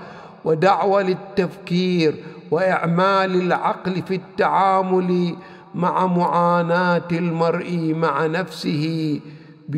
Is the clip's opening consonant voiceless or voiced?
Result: voiced